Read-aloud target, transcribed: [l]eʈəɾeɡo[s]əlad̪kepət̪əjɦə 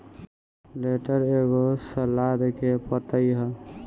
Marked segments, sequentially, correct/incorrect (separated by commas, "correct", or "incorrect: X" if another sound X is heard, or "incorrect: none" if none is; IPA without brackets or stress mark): correct, correct